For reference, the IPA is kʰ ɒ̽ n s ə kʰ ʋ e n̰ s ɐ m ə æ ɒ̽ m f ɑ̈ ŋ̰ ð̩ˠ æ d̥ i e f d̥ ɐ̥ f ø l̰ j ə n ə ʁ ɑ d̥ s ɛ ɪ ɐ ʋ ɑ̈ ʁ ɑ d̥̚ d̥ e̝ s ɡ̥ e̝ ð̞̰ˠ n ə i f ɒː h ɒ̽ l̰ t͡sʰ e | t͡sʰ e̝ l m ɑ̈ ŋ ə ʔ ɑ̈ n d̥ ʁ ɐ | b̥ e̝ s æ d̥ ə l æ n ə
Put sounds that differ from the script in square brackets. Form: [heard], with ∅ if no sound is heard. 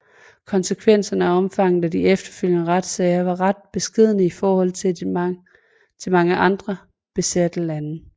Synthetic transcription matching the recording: kʰ ɒ̽ n s ə kʰ ʋ e n̰ s ɐ [n] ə æ ɒ̽ m f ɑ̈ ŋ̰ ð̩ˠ æ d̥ i e f d̥ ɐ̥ f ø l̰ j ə n ə ʁ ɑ d̥ s ɛ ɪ ɐ ʋ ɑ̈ ʁ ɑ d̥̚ [b̥] e̝ s ɡ̥ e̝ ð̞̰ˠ n ə i f ɒː h ɒ̽ l̰ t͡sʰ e | t͡sʰ e̝ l m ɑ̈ ŋ ə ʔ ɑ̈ n d̥ ʁ ɐ | b̥ e̝ s æ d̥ ə l æ n ə